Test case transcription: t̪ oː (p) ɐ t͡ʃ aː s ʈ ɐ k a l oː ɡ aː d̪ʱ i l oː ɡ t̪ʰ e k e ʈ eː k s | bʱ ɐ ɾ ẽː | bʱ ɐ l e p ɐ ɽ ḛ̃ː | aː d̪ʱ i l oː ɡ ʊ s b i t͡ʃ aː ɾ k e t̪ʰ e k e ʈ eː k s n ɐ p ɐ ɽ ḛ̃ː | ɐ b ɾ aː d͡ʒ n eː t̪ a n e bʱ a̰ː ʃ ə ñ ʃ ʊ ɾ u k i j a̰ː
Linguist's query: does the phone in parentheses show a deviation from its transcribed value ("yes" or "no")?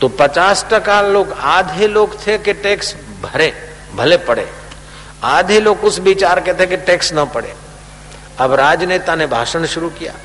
no